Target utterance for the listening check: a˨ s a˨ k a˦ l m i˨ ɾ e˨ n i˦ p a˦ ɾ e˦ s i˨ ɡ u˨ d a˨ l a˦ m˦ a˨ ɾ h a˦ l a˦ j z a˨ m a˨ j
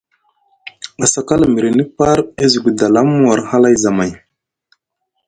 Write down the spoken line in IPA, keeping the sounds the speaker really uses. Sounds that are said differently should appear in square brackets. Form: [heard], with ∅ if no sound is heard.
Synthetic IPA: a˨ s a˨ k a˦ l m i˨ ɾ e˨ n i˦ p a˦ ɾ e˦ [z] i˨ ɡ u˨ d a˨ l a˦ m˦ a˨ ɾ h a˦ l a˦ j z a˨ m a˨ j

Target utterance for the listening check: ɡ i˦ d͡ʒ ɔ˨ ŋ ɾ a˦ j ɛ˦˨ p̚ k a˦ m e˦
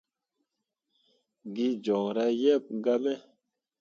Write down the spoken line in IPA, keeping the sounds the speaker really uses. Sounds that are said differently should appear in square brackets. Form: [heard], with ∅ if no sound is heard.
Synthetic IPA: ɡ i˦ d͡ʒ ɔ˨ ŋ ɾ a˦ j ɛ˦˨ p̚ [ɡ] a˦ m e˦

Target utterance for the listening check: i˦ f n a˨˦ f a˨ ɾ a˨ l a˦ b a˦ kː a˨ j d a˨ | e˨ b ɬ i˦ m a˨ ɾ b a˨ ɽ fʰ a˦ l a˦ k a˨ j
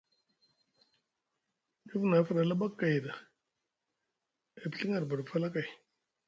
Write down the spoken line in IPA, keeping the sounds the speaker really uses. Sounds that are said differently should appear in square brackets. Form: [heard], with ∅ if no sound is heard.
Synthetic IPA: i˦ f n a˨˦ f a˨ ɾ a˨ l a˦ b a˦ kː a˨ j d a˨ | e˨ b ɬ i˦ [ŋ] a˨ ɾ b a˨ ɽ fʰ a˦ l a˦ k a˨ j

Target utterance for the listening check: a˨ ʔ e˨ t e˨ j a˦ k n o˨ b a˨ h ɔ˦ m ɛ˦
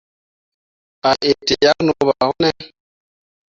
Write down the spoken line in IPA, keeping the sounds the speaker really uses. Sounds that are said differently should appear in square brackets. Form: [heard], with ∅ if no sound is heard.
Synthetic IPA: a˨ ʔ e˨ t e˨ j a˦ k n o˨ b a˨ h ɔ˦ [n] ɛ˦

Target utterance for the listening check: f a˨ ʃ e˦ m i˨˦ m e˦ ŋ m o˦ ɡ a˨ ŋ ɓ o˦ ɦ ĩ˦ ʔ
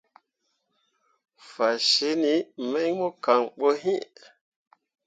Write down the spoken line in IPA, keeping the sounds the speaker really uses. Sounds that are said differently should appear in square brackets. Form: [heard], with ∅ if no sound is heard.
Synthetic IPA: f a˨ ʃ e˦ [n] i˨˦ m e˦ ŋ m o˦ [k] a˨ ŋ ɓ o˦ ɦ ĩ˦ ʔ

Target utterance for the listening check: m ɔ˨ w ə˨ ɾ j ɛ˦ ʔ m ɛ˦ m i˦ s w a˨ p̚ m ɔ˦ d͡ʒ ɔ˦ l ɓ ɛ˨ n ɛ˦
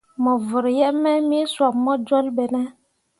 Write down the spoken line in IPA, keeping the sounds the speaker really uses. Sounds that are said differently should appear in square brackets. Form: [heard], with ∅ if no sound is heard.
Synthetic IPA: m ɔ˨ [v] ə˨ ɾ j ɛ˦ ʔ m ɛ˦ m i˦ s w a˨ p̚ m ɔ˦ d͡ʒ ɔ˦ l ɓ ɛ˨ n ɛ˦

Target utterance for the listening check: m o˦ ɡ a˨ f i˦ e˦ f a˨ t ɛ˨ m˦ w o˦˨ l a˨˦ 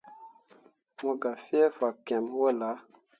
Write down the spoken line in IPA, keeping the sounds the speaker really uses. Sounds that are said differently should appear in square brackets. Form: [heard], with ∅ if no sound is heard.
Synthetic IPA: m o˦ ɡ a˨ f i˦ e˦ f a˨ [k] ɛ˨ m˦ w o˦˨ l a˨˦

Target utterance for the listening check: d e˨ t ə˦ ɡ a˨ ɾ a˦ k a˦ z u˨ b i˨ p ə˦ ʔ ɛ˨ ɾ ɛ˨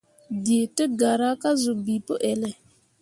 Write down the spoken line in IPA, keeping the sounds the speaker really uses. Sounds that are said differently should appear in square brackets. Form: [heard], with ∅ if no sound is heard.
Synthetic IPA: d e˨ t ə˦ ɡ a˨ ɾ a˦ k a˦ z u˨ b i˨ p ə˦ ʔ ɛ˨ [l] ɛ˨

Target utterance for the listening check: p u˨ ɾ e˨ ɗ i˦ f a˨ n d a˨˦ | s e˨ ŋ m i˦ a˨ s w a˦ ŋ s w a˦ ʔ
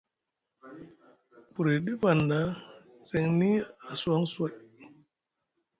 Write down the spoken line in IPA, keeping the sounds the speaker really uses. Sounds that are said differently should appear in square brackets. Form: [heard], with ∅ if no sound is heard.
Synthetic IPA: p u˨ ɾ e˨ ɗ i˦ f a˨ n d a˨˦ | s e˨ ŋ [n] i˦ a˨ s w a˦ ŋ s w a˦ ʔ

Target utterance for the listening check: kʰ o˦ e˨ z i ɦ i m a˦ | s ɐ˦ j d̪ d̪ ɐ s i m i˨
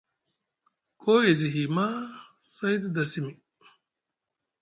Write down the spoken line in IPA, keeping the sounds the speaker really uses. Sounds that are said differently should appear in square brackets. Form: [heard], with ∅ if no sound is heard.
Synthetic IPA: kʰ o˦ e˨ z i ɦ i m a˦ | s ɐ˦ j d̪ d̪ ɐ s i m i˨

